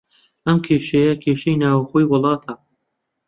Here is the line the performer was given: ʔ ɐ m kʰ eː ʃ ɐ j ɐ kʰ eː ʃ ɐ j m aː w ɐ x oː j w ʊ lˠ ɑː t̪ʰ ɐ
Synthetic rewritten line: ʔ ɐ m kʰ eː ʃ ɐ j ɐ kʰ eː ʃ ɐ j n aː w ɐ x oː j w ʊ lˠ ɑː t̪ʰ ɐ